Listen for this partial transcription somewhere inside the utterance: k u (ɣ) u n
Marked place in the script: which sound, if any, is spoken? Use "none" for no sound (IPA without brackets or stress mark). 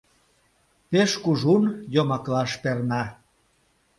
ʒ